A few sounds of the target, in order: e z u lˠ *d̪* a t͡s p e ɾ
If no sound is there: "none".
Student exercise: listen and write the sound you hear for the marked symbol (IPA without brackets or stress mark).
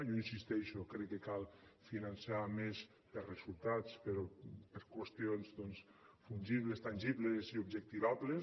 t̪